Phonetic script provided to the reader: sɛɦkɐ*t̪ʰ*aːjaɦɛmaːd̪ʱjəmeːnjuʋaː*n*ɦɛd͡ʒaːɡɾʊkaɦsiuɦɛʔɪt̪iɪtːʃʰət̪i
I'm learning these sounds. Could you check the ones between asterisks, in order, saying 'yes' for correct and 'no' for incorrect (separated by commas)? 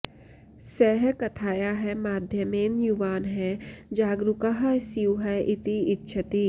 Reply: yes, yes